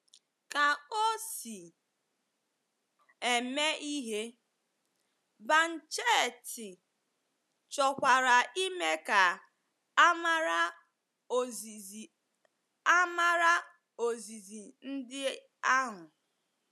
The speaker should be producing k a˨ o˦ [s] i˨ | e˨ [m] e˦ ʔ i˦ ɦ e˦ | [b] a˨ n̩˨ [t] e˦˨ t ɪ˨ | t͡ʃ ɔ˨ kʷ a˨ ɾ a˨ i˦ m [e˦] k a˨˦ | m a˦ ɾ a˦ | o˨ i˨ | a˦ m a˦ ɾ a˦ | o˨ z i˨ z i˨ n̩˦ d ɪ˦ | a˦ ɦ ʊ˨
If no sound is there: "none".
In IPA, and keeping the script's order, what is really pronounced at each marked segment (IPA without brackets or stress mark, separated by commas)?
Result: s, m, b, t͡ʃ, e˦